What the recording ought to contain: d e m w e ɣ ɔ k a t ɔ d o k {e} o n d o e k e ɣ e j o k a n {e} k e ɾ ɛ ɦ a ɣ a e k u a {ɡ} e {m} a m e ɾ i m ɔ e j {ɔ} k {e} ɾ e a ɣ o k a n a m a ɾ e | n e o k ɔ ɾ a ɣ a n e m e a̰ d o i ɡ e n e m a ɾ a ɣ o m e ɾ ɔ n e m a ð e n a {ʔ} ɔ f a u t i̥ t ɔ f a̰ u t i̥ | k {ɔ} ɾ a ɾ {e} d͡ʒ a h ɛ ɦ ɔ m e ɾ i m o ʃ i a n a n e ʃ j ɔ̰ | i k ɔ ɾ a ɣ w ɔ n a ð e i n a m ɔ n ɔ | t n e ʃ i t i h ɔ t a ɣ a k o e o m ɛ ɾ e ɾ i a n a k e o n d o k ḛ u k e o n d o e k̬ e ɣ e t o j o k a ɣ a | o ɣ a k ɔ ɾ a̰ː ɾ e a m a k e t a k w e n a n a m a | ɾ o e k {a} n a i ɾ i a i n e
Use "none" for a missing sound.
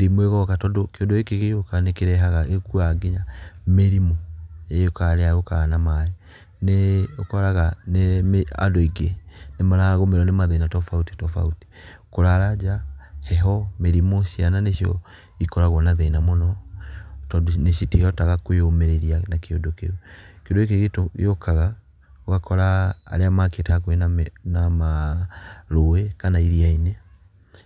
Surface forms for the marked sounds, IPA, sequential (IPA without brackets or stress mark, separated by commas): e, e, ɡ, ɲ, o, a, t, o, a, a